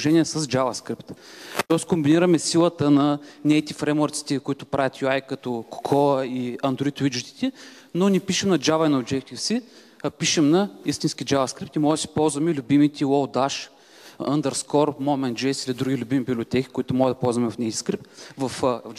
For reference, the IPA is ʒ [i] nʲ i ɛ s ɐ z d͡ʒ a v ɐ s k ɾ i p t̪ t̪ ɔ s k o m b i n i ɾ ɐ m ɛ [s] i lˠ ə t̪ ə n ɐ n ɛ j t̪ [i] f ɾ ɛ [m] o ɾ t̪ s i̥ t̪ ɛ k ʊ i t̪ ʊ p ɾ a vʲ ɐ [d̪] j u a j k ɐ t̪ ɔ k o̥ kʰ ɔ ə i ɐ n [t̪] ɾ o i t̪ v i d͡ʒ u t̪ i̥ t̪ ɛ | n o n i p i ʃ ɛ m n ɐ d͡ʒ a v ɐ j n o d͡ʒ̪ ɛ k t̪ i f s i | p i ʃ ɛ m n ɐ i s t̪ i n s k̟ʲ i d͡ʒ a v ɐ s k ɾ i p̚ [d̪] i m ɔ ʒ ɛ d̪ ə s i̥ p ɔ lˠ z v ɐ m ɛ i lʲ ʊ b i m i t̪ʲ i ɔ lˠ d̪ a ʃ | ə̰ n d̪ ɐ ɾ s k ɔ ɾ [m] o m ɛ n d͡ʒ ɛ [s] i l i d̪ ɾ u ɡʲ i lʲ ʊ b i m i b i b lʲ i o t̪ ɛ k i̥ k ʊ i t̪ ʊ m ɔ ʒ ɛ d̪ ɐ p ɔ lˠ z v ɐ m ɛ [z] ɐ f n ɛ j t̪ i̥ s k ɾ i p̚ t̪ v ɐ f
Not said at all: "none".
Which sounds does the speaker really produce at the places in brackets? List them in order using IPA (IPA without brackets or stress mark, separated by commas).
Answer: ɛ, s, i, m, t̪, d̪, t̪, m, s, v